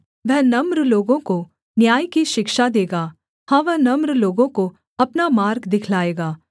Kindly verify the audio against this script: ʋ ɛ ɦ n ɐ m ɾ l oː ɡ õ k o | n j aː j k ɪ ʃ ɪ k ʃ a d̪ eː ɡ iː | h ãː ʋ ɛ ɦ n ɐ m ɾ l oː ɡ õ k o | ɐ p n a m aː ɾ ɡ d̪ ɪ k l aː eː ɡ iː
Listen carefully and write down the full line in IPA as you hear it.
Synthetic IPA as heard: ʋ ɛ ɦ n ɐ m ɾ l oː ɡ õ k o | n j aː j k i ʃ ɪ k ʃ a d̪ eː ɡ aː | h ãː ʋ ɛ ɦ n ɐ m ɾ l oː ɡ õ k o | ɐ p n a m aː ɾ ɡ d̪ ɪ kʰ l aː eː ɡ aː